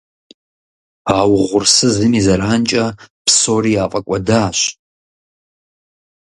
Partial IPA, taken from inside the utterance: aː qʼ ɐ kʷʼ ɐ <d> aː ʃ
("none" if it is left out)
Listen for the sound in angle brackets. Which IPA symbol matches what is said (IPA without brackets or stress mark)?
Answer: d